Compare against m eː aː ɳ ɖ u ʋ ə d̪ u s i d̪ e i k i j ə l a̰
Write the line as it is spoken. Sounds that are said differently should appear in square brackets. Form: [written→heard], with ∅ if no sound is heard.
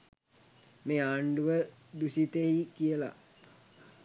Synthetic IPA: m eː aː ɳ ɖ u ʋ ə d̪ u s i [d̪→t̪] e i k i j ə l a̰